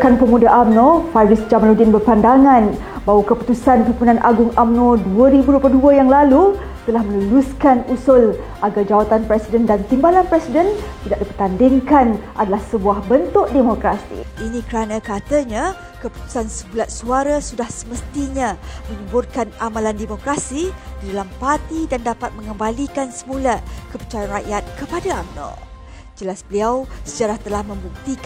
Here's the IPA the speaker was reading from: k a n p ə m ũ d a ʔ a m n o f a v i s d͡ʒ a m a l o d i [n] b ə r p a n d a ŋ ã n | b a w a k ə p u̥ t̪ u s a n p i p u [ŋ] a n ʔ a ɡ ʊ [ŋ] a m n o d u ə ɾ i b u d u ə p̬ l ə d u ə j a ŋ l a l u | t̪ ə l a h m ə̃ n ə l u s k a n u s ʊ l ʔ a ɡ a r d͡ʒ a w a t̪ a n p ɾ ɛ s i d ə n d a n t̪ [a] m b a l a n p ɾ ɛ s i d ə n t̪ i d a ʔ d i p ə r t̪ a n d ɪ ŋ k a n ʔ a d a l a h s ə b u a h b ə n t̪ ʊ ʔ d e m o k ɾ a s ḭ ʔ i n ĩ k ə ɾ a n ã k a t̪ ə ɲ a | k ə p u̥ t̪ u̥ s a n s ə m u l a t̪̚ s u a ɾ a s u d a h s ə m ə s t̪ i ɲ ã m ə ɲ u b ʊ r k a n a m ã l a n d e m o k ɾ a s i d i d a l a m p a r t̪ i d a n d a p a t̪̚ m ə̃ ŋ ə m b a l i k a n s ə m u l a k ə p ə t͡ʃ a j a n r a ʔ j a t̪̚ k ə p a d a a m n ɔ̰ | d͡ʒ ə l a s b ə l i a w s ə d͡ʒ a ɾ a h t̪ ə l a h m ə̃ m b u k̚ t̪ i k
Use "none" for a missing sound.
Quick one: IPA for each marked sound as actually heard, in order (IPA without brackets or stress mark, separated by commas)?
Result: n, n, ŋ, i